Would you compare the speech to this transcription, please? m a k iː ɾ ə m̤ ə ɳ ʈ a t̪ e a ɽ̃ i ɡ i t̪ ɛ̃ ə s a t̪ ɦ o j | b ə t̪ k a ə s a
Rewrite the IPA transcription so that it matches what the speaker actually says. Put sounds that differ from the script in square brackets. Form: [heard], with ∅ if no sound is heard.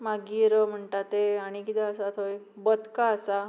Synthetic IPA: m a [ɡ] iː ɾ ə m̤ ə ɳ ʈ a t̪ e a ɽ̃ i [k] i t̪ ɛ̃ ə s a t̪ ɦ o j | b ə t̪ k a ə s a